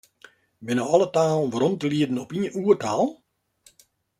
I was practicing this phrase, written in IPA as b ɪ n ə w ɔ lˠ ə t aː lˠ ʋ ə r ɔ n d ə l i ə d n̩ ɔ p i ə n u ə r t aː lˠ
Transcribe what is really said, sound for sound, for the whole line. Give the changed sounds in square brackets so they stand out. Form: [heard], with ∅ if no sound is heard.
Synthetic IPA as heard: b ɪ n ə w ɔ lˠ ə t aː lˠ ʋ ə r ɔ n [t] ə l i ə d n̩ ɔ p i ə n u ə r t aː lˠ

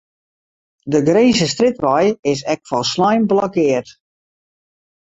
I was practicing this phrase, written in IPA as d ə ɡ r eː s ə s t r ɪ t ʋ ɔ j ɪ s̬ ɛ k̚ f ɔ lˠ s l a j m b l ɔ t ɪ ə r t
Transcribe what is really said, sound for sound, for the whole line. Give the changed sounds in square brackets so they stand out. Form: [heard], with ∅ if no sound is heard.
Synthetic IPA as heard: d ə ɡ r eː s ə s t r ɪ t ʋ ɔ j ɪ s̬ ɛ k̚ f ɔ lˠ s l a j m b l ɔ [k] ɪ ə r t

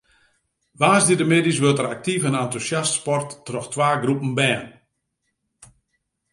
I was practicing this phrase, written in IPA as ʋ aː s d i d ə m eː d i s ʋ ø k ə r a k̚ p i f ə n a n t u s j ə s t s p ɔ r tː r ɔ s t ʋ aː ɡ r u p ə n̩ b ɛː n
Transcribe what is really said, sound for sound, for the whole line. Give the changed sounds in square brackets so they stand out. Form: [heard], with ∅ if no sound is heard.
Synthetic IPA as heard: ʋ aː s d i d ə m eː d i s ʋ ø [t] ə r a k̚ [t] i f ə n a n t u s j [a] s t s p ɔ r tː r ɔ [x] t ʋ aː ɡ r u p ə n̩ b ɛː n

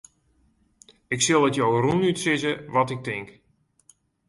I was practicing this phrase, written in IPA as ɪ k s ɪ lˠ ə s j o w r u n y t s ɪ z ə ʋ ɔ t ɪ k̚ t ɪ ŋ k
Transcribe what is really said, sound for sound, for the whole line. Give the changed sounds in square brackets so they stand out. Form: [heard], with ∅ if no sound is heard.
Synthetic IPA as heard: ɪ k s ɪ lˠ ə [t] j o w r u n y t s ɪ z ə ʋ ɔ t ɪ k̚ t ɪ ŋ k

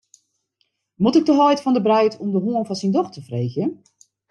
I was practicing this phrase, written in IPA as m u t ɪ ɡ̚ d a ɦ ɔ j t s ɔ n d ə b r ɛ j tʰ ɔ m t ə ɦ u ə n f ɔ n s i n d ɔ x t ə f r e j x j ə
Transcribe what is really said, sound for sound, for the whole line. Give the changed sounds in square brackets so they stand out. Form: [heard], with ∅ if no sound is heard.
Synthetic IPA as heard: m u t ɪ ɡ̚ d [ə] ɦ ɔ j t [f] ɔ n d ə b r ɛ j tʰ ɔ m [d] ə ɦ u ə n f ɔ n s i n d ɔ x t ə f r e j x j ə

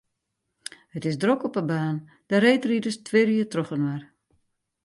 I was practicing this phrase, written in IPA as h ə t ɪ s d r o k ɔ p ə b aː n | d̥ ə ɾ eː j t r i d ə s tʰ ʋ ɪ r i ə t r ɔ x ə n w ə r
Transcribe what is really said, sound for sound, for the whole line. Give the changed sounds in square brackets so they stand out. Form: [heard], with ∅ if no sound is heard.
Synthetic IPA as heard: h ə t ɪ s d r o k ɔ p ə b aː n | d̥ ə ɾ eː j t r i d ə s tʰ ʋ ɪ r i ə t r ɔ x ə n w [a] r

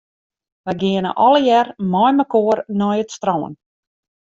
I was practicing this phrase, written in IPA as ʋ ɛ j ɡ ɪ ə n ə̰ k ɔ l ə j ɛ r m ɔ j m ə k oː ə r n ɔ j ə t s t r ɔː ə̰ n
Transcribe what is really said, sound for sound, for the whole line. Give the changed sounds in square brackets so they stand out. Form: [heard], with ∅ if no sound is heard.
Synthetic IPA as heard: ʋ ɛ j ɡ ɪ ə n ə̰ [ʔ] ɔ l ə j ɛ r m ɔ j m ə k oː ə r n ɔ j ə t s t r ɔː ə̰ n

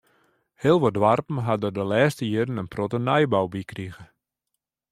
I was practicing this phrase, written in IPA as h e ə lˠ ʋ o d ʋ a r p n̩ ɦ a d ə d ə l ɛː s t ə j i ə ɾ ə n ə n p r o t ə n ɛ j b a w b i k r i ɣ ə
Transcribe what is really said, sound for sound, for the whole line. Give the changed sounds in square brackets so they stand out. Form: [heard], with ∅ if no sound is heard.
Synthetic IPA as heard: h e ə lˠ ʋ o d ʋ a r p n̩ ɦ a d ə d ə l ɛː s t ə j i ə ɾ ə n ə n p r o t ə n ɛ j b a w b i k r i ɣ ə

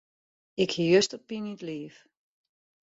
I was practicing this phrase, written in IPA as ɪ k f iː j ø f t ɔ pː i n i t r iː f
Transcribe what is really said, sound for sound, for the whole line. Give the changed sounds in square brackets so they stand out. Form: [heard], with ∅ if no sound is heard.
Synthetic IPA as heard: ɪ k [h] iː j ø [s] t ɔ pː i n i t [l] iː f

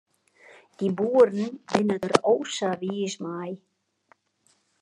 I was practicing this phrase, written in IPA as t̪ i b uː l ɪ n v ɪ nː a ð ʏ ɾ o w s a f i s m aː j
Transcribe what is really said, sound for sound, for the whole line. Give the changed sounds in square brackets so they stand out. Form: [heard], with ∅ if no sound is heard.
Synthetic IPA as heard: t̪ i b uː [ɾ] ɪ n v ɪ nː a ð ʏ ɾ o w s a [v] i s m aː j

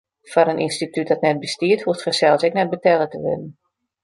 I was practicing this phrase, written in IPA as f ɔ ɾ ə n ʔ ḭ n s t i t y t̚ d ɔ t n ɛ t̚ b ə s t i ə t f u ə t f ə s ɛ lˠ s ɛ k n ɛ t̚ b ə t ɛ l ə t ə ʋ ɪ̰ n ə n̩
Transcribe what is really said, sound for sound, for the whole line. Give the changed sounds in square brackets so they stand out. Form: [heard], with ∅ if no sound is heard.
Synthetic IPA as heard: f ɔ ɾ ə n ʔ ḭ n s t i t y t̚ d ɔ t n ɛ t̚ b ə s t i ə t [h] u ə t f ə s ɛ lˠ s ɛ k n ɛ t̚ b ə t ɛ l ə t ə ʋ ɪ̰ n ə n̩

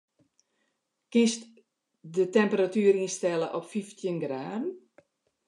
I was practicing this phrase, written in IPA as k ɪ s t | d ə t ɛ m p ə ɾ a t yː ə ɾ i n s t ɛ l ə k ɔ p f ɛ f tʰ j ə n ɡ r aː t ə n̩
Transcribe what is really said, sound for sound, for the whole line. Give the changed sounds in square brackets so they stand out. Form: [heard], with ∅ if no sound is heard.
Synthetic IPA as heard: k ɪ s t | d ə t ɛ m p ə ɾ a t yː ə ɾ i n s t ɛ l ə [ʔ] ɔ p f [i] f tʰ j ə n ɡ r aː [d] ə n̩

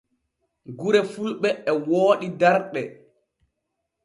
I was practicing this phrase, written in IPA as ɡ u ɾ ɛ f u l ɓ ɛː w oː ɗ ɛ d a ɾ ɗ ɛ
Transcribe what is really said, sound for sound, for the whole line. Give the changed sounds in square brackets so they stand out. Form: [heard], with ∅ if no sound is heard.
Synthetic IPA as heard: ɡ u ɾ ɛ f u l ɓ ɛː w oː ɗ [i] d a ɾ ɗ ɛ

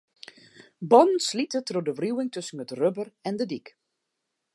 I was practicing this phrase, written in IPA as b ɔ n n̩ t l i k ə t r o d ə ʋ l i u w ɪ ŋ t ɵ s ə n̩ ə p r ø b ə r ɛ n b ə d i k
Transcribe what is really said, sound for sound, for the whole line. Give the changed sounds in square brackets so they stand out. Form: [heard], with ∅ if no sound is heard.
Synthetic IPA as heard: b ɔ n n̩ [s] l i [t] ə t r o d ə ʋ [r] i u w ɪ ŋ t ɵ s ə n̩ ə [t] r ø b ə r ɛ n [d] ə d i k

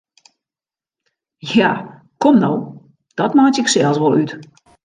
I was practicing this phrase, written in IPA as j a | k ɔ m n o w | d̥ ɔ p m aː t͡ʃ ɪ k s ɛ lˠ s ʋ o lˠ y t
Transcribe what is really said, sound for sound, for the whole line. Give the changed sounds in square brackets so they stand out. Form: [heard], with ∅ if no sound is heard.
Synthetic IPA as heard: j a | k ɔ m n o w | d̥ ɔ [t] m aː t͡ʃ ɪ k s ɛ lˠ s ʋ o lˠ y t

